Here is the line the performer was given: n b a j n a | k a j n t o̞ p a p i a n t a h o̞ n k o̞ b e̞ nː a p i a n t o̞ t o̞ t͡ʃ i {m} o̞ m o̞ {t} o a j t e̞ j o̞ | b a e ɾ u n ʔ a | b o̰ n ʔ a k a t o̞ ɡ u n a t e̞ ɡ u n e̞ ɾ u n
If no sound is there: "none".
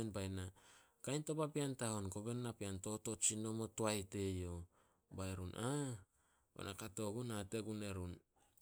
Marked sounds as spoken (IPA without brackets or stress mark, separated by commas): n, t